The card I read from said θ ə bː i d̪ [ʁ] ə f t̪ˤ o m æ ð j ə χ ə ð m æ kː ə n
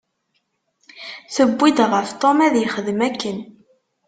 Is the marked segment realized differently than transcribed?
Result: no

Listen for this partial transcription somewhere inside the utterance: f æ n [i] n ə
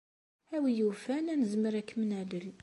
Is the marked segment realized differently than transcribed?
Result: yes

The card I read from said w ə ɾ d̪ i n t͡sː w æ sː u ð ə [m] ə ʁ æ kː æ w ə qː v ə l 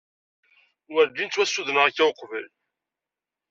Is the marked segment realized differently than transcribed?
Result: yes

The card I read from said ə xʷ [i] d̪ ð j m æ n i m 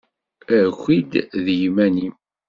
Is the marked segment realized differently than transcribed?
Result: no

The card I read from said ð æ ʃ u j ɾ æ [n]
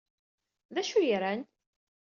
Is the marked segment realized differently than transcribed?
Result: no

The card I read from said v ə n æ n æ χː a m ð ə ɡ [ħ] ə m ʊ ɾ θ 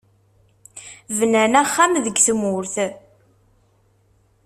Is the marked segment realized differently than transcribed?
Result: yes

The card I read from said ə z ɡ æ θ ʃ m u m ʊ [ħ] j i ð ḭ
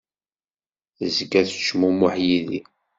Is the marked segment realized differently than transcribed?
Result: no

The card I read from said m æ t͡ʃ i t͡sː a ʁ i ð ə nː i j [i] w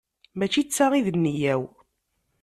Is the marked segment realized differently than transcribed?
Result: yes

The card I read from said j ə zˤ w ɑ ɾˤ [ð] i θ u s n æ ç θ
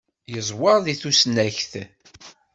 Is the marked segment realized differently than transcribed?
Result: no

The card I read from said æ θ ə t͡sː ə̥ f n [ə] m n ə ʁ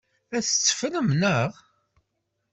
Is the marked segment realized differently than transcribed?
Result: no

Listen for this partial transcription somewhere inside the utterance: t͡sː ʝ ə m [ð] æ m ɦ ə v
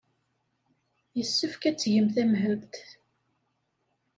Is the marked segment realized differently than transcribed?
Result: yes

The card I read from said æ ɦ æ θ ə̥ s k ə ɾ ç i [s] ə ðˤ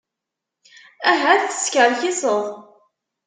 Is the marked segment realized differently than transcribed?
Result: no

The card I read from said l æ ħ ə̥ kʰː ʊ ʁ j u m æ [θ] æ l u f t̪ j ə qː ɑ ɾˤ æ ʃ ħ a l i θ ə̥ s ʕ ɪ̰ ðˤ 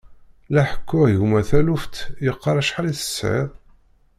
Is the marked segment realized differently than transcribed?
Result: no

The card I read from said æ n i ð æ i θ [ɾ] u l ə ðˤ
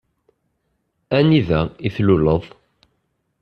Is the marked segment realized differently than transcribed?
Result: yes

